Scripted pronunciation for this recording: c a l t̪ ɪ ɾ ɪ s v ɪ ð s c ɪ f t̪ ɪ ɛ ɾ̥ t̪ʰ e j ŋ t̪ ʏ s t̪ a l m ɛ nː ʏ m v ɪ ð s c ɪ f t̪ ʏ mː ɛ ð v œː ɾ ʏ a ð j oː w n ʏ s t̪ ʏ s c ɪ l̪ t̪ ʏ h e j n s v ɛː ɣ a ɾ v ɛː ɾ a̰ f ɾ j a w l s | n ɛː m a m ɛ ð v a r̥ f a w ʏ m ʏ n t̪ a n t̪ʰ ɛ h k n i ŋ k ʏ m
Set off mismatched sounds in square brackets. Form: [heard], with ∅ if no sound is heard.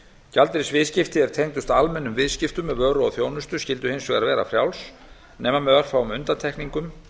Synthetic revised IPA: c a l t̪ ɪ ɾ ɪ s v ɪ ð s c ɪ f t̪ ɪ ɛ ɾ̥ t̪ʰ e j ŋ t̪ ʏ s t̪ a l m ɛ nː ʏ m v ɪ ð s c ɪ f t̪ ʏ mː ɛ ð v œː ɾ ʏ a [θ] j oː w n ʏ s t̪ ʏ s c ɪ l̪ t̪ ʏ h e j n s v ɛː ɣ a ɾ v ɛː ɾ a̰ f ɾ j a w l s | n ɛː m a m ɛ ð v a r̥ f a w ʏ m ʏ n t̪ a n t̪ʰ ɛ h k n i ŋ k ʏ m